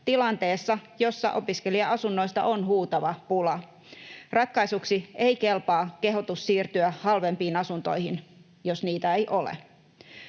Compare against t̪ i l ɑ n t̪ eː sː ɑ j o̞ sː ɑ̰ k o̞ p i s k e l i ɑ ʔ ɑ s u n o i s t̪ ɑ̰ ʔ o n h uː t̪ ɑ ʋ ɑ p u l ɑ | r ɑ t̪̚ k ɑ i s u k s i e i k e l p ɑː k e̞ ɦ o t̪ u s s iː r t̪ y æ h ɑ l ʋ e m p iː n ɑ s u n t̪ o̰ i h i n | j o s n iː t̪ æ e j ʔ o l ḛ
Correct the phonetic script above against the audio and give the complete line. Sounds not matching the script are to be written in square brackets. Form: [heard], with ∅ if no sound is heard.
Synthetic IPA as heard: t̪ i l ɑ n t̪ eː sː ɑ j o̞ sː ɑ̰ [ʔ] o̞ p i s k e l i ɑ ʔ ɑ s u [nː] o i s t̪ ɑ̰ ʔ o n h uː t̪ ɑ ʋ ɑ p u l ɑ | r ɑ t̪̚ k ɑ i s u k s i e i k e l p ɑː k e̞ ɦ o t̪ u s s iː r t̪ y æ h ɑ l ʋ e m p iː n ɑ s u n t̪ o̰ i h i n | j o s n iː t̪ æ e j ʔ o l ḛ